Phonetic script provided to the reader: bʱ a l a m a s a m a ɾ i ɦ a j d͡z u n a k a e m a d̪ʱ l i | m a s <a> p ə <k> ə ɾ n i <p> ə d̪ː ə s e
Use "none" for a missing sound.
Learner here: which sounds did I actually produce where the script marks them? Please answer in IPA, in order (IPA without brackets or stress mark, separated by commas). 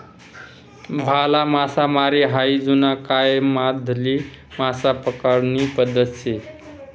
a, k, p